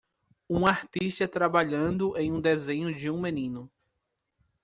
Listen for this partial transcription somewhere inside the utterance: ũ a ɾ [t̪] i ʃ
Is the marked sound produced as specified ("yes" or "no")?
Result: yes